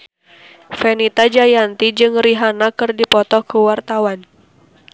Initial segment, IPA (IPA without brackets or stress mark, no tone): f